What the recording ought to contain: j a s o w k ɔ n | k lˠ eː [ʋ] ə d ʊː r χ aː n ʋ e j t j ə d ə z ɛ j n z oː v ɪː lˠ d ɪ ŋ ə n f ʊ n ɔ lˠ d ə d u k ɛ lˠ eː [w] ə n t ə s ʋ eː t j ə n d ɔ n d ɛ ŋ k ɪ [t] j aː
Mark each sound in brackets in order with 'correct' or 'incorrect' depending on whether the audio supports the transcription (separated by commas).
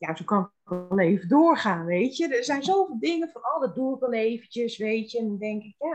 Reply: incorrect, incorrect, incorrect